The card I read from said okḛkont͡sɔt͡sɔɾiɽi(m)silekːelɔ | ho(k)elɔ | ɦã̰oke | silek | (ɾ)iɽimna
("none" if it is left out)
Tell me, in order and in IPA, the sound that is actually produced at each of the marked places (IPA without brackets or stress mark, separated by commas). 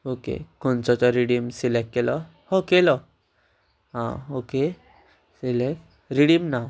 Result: m, k, ɾ